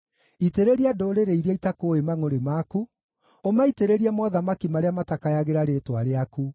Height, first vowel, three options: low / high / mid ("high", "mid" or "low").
high